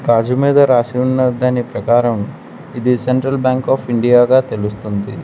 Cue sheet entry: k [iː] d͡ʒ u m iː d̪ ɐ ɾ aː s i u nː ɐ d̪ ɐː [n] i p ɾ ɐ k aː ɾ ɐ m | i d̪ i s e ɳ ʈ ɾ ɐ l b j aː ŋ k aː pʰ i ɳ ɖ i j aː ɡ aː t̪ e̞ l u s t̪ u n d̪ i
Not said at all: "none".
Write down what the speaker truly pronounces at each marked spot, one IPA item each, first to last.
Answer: aː, n

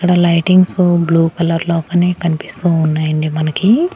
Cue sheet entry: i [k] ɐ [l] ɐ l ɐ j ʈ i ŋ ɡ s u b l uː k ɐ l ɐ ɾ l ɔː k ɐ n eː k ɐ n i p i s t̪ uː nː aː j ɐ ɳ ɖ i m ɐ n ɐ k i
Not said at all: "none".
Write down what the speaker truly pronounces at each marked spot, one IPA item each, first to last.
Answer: k, ɽ

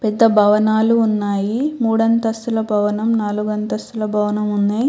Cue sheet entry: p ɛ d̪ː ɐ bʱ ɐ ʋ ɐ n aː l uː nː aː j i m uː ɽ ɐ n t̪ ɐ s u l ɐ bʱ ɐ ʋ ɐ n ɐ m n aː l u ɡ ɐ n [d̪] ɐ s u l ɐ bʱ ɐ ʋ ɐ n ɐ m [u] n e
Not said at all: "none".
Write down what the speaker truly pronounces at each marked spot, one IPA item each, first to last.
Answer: t̪, u

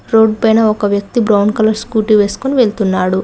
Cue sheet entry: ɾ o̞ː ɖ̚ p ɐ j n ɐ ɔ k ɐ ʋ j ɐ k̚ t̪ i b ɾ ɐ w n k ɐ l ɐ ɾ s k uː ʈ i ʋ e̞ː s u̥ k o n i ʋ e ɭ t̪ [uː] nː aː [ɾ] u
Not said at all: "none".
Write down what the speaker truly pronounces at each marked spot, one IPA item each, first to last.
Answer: u, ɽ

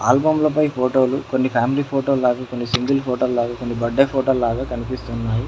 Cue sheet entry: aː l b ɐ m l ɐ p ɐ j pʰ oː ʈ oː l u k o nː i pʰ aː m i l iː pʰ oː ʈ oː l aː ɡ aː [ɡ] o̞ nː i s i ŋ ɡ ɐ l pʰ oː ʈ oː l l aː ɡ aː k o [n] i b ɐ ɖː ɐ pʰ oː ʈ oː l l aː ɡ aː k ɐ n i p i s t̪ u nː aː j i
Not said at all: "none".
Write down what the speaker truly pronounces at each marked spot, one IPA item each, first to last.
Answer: k, nː

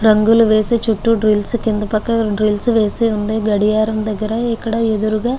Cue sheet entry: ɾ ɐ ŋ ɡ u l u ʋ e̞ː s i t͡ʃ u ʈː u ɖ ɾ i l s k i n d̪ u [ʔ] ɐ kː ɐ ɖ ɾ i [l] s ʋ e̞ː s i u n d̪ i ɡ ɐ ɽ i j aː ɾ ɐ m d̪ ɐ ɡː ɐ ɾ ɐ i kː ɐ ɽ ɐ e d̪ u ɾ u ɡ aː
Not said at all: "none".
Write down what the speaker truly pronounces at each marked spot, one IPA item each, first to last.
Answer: p, l

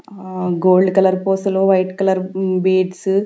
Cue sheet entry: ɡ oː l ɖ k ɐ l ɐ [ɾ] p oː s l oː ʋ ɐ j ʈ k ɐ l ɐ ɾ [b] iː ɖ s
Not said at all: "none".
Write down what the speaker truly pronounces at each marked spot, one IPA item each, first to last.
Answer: ɾ, b

